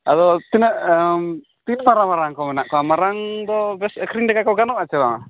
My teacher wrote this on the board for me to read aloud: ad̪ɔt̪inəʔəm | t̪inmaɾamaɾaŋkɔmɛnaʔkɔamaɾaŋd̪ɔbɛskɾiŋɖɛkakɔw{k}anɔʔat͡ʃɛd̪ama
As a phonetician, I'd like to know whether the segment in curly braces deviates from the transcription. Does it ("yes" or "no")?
yes